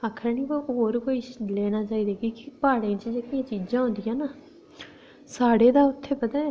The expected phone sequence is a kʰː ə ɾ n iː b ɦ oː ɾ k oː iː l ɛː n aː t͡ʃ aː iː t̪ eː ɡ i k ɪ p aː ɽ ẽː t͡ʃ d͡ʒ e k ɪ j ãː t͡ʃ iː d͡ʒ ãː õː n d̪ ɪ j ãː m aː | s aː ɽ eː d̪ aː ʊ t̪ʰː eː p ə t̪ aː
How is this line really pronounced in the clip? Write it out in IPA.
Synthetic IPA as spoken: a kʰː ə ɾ n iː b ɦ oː ɾ k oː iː l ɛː n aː t͡ʃ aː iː d̪ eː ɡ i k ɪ p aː ɽ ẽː t͡ʃ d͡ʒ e k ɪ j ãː t͡ʃ iː d͡ʒ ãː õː n d̪ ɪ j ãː n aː | s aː ɽ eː d̪ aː ʊ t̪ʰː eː p ə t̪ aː